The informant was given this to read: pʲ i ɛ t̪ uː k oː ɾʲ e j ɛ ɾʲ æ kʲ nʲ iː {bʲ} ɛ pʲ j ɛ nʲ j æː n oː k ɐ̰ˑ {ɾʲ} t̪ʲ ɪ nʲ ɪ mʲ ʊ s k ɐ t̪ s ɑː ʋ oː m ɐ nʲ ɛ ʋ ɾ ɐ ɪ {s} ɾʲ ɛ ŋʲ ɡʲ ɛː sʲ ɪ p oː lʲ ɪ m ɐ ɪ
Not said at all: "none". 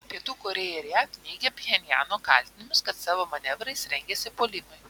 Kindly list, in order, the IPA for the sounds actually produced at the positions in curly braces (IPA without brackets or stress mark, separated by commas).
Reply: ɡʲ, lʲ, s